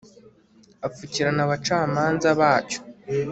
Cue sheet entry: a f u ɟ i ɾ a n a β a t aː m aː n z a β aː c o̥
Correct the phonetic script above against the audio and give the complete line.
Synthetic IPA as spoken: a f u c i ɾ a n a β a t͡ʃ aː m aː n z a β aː c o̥